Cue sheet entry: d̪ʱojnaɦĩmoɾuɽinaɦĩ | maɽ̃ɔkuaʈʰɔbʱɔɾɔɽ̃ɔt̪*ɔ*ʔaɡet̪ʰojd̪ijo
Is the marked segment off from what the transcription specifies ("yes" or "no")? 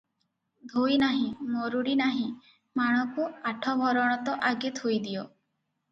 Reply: no